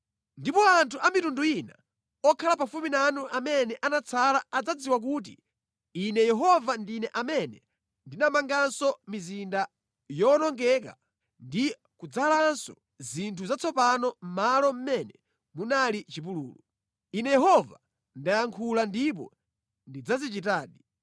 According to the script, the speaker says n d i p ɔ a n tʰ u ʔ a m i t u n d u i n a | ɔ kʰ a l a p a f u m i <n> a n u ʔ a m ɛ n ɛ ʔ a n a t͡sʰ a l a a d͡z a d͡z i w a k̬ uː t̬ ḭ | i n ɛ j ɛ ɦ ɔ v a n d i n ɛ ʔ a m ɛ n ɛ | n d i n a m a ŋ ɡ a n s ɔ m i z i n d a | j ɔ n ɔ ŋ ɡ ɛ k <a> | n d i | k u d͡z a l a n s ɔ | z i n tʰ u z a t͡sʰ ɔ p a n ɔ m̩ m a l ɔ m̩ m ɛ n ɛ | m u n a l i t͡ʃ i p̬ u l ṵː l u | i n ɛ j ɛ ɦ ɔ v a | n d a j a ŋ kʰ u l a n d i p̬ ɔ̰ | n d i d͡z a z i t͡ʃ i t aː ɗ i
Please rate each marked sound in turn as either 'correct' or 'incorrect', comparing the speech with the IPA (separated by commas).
correct, correct